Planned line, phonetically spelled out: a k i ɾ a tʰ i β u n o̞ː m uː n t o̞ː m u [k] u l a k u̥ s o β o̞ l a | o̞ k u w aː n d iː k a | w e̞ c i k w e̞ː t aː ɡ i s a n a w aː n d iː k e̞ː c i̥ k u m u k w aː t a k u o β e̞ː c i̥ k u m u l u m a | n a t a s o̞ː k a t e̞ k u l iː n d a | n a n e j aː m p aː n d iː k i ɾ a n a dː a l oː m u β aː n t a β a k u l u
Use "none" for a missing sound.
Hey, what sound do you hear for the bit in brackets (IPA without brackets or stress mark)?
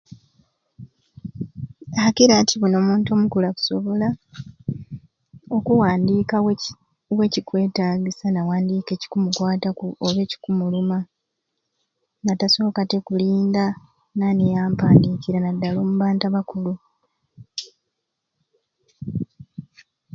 k